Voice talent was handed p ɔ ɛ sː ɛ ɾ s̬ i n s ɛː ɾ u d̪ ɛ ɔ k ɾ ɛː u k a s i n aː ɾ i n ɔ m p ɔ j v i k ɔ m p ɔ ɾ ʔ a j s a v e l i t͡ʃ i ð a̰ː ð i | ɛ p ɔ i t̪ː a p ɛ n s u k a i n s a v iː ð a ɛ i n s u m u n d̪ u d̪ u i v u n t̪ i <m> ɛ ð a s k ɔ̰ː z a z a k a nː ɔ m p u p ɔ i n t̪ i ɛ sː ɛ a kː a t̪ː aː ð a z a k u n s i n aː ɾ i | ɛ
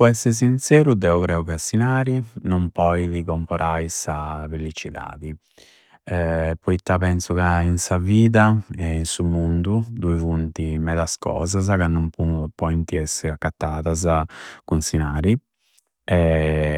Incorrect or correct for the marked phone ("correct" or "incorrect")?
correct